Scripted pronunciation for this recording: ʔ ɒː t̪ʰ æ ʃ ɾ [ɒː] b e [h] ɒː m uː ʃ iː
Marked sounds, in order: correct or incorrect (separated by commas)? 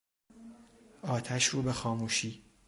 incorrect, incorrect